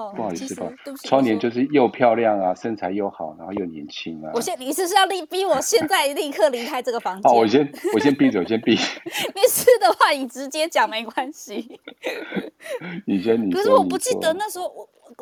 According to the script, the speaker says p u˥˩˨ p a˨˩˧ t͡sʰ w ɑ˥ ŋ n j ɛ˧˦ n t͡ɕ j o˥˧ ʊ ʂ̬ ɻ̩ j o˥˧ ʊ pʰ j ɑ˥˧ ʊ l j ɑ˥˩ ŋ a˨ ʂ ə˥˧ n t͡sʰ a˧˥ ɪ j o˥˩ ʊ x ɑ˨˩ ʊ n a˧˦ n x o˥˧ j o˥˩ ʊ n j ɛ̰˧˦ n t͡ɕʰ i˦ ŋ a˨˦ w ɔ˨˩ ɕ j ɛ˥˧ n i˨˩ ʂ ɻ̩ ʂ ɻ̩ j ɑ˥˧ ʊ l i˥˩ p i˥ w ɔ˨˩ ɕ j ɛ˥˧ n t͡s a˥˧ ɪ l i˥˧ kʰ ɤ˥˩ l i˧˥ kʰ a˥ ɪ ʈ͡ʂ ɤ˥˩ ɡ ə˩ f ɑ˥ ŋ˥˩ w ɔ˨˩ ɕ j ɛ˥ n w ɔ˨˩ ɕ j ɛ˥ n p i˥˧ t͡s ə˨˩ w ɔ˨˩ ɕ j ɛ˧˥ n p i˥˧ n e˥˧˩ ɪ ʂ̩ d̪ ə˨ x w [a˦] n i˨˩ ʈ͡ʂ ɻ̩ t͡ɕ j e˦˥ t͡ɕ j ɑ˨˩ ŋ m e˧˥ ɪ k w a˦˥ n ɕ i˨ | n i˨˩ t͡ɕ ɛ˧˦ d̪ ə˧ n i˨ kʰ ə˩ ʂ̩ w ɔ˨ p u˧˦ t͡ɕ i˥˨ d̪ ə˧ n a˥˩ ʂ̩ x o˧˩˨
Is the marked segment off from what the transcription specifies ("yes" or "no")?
yes